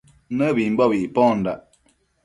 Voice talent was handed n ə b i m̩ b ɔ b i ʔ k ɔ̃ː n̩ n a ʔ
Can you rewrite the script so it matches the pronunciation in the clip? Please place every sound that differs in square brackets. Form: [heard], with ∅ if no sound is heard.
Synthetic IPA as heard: n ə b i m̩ b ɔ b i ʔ [p] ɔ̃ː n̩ [d] a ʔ